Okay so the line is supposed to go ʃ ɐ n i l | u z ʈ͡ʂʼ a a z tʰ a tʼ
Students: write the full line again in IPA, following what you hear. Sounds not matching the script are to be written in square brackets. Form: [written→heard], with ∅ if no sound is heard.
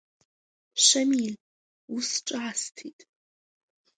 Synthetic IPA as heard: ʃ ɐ [n→m] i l | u [z→s] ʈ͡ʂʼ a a [z→s] tʰ [a→i] tʼ